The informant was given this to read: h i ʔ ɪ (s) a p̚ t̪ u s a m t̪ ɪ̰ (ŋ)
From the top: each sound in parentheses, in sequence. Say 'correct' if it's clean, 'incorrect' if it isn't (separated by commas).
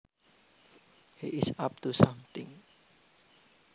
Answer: correct, correct